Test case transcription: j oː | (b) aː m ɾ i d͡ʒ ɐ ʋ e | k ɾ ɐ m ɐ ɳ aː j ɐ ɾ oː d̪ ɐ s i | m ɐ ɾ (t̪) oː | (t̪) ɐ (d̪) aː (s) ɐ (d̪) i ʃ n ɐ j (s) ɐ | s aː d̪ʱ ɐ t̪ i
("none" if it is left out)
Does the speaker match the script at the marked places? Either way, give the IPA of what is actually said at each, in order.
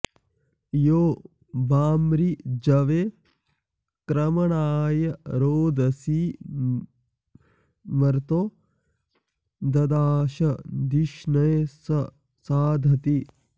b, t̪, d̪, d̪, ʃ, d̪, s

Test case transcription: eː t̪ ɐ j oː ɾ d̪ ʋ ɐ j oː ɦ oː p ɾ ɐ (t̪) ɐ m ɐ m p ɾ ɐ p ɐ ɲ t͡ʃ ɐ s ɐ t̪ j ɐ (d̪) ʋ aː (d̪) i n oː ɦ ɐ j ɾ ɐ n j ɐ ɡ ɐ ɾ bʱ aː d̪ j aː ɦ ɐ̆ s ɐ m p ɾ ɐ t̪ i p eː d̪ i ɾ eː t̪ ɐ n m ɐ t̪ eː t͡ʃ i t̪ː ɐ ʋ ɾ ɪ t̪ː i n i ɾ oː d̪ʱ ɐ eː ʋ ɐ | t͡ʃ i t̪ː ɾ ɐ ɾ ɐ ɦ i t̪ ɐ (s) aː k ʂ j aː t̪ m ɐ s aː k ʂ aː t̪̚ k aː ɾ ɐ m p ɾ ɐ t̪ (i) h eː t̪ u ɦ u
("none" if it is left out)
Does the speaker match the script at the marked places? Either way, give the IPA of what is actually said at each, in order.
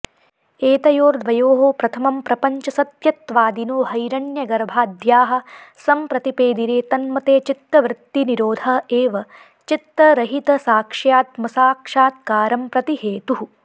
t̪ʰ, t̪, d̪, s, i

